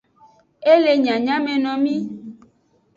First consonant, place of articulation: alveolar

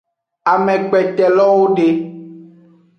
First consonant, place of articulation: labial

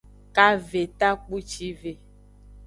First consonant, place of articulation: velar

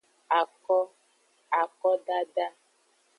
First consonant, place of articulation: velar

